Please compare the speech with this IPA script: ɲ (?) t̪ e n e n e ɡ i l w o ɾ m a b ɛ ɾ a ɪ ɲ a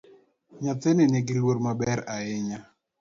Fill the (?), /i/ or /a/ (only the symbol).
a